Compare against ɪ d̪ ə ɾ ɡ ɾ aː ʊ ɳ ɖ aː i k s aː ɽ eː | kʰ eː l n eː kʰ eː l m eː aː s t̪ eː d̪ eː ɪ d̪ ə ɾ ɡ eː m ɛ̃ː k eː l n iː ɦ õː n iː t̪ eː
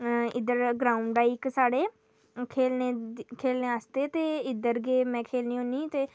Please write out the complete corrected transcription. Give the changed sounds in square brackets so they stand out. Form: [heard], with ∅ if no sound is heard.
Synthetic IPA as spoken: ɪ d̪ ə ɾ ɡ ɾ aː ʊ ɳ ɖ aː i k s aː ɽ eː | kʰ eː l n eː kʰ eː l [n] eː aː s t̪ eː [t̪] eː ɪ d̪ ə ɾ ɡ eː m ɛ̃ː [kʰ] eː l n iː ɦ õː n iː t̪ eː